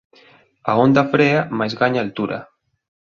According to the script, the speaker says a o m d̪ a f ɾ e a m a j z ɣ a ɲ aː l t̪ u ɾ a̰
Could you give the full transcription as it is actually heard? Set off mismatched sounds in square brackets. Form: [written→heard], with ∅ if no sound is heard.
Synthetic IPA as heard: a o [m→n] d̪ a f ɾ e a m a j z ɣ a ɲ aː l t̪ u ɾ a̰